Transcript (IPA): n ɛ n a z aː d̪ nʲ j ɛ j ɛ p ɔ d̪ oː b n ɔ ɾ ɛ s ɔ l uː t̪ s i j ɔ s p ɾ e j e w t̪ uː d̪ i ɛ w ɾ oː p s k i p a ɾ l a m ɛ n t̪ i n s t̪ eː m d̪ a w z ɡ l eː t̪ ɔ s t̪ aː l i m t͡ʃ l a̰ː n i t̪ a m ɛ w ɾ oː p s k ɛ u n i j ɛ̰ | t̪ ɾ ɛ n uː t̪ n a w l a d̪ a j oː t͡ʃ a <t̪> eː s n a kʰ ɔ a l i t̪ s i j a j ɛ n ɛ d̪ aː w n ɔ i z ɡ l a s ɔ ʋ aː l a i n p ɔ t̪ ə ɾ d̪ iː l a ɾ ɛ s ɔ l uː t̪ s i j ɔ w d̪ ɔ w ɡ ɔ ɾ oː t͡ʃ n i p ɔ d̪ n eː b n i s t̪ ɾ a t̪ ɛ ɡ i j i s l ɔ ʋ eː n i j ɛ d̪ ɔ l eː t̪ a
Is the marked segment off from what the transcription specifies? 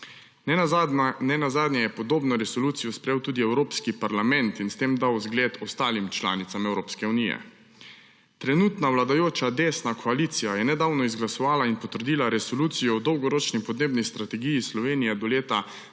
yes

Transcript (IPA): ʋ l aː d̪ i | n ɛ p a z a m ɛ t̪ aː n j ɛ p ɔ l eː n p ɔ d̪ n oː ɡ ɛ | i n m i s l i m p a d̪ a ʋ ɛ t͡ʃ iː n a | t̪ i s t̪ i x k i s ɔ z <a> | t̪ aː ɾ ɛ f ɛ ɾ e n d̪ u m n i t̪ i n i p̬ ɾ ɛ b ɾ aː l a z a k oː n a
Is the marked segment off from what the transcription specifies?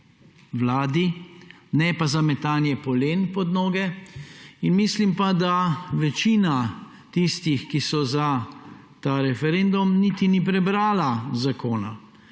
no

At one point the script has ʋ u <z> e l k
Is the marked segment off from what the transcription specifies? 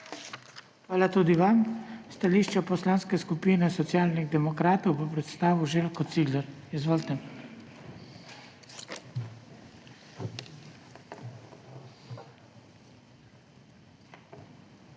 yes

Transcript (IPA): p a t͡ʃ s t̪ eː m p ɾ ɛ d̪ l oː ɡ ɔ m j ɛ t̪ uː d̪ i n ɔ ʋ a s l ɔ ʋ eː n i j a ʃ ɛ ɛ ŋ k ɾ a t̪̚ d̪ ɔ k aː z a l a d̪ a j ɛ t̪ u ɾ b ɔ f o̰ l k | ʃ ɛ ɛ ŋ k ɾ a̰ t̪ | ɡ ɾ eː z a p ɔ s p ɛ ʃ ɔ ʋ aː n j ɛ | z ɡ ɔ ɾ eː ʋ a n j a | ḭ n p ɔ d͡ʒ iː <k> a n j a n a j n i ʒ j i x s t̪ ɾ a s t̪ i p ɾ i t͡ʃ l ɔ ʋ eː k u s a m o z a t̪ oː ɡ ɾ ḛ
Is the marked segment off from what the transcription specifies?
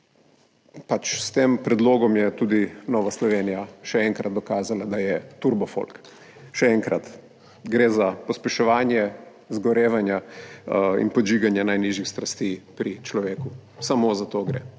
yes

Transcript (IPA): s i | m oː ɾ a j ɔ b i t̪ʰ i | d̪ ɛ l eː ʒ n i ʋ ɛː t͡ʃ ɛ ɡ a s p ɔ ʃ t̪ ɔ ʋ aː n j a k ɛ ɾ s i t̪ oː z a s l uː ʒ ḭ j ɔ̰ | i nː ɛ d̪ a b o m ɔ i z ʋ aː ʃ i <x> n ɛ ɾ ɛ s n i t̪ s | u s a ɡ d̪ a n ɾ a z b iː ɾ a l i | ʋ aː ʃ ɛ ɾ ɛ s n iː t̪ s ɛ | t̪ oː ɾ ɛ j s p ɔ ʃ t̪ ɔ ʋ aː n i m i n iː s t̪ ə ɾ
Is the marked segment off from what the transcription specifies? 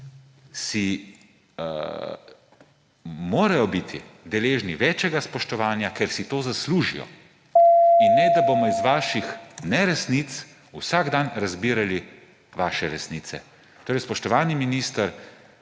no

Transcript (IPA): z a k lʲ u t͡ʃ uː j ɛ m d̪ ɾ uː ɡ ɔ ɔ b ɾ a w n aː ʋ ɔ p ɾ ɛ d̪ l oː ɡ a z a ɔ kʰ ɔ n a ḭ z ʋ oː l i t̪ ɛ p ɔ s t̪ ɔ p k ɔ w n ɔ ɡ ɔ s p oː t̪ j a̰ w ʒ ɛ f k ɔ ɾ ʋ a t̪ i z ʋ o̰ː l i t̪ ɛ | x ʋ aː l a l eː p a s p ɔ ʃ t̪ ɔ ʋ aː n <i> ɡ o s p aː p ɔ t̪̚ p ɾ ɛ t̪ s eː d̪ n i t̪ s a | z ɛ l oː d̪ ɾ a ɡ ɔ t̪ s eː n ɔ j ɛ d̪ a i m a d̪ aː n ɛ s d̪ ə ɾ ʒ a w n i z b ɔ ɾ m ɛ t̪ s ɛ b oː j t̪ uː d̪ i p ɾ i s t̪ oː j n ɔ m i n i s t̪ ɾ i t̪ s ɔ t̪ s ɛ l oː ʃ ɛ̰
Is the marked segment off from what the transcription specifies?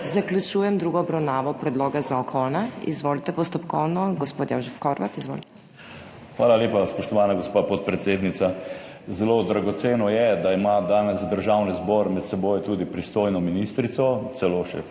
yes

